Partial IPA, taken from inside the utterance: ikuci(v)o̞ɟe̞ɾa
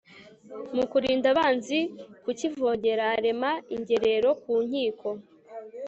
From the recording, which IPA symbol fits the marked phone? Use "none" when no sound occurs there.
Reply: v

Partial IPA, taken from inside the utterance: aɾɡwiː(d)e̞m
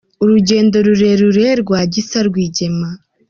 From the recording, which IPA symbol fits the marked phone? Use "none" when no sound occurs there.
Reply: ɟ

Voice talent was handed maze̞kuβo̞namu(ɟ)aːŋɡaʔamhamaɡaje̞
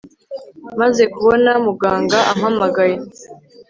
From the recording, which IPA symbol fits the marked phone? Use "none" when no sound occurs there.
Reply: ɡ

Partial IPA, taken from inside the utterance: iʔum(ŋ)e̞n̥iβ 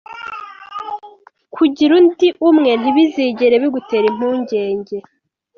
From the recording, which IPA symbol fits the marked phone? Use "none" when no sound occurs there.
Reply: ŋ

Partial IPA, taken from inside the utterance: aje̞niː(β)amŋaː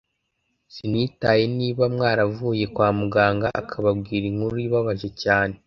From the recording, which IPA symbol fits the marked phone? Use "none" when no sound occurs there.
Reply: β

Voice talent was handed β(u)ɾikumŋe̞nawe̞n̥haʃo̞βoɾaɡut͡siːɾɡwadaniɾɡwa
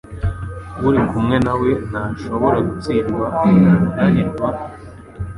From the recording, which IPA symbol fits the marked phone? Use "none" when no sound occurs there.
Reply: u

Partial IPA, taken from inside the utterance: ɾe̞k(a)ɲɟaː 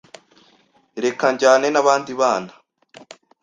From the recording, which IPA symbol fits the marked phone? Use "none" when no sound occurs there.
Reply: a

